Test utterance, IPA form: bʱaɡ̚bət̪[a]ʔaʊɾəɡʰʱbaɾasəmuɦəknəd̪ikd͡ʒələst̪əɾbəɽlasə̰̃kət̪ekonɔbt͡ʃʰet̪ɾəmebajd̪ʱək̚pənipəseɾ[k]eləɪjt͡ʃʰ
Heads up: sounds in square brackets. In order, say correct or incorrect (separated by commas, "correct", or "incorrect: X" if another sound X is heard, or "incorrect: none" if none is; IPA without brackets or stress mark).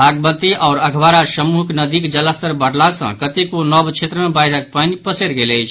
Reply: incorrect: i, incorrect: ɡ